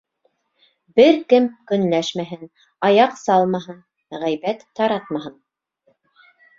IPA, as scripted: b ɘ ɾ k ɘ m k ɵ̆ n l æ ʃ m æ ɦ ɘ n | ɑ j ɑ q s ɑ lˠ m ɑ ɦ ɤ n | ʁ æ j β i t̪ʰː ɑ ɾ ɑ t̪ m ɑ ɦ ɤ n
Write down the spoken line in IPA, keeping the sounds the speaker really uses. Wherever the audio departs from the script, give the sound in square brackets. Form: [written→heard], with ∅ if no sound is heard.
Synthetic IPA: b ɘ ɾ k ɘ m k ɵ̆ n l æ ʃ m æ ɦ ɘ n | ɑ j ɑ q s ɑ lˠ m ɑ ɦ ɤ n | ʁ æ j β [i→æ] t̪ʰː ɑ ɾ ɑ t̪ m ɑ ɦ ɤ n